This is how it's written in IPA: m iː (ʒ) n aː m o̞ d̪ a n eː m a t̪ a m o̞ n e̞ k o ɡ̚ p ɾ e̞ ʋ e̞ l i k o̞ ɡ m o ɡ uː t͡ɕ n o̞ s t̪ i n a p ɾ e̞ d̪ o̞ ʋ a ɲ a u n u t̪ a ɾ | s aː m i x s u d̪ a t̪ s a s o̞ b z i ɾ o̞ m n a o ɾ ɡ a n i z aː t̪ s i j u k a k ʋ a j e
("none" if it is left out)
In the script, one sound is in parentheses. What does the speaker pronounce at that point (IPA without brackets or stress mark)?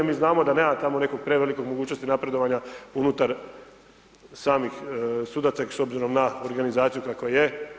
z